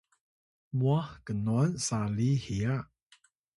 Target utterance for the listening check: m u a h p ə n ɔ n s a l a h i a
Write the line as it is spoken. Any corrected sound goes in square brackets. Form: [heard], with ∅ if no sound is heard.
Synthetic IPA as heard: m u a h [k] ə n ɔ n s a l [i] h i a